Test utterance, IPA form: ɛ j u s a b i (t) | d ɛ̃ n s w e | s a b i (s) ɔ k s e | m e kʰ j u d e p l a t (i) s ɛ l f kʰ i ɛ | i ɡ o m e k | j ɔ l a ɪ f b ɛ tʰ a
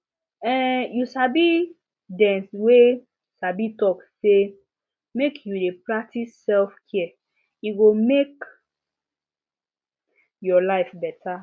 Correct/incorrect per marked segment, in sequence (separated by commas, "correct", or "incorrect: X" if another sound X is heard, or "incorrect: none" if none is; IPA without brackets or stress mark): incorrect: none, incorrect: t, correct